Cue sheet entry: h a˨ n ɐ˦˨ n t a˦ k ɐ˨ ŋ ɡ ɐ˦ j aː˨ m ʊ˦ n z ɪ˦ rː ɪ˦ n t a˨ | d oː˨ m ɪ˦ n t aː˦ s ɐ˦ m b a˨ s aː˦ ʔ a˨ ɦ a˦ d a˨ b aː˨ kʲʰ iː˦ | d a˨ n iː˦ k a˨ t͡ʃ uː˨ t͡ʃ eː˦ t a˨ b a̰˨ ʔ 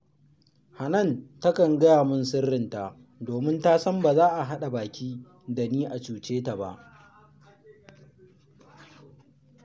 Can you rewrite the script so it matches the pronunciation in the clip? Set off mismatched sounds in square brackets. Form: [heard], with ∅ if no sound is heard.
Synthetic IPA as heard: h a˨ n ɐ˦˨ n t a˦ k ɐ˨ ŋ ɡ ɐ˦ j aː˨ m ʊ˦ n [s] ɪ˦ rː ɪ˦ n t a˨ | d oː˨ m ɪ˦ n t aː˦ s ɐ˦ m b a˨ [z] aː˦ ʔ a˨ ɦ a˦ [ɗ] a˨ b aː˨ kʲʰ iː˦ | d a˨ n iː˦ [ʔ] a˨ t͡ʃ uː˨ t͡ʃ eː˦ t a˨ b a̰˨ ʔ